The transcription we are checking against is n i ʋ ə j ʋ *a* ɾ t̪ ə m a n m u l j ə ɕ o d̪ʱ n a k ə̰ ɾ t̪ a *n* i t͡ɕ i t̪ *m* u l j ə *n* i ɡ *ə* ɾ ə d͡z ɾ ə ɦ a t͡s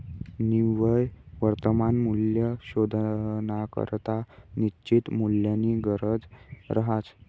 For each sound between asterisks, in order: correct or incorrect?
incorrect: ə, correct, correct, correct, correct

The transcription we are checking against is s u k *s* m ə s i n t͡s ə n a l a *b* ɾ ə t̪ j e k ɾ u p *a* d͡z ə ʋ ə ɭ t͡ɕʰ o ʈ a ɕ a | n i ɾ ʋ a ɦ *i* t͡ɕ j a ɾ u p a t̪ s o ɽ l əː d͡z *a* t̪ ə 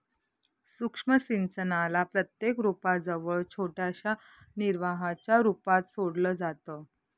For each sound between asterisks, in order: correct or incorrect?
incorrect: ʂ, incorrect: p, correct, incorrect: a, correct

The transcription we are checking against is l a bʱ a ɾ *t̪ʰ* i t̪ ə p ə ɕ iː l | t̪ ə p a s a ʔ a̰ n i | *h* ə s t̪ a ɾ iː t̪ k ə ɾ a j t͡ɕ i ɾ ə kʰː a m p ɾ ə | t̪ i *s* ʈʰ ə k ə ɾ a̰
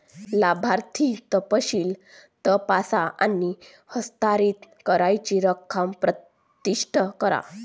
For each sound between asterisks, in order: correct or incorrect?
correct, correct, incorrect: ʂ

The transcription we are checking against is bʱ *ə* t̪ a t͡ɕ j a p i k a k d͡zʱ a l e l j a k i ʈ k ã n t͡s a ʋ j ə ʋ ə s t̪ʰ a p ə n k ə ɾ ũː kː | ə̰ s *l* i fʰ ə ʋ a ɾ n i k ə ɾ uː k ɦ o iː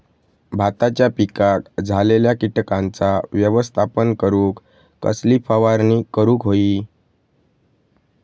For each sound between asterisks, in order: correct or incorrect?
incorrect: a, correct

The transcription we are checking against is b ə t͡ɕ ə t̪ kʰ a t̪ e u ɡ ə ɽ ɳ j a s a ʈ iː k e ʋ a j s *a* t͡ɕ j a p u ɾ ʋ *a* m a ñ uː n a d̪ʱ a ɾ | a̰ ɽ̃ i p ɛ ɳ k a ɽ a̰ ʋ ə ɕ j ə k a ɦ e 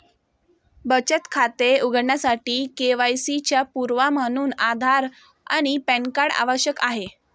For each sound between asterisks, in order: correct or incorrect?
incorrect: i, correct

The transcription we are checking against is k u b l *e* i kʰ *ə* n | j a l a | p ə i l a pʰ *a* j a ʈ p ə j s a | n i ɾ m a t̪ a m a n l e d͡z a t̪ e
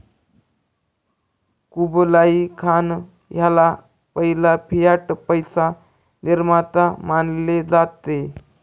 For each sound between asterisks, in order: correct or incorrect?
incorrect: a, incorrect: a, incorrect: i

